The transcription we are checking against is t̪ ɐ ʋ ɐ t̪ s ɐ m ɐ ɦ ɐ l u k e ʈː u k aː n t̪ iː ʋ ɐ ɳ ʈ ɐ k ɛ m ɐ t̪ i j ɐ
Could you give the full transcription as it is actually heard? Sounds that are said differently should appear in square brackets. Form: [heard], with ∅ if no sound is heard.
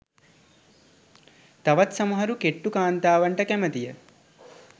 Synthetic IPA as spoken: t̪ ɐ ʋ ɐ t̪ s ɐ m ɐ ɦ ɐ [ɾ] u k e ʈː u k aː n t̪ [aː] ʋ ɐ ɳ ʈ ɐ k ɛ m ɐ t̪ i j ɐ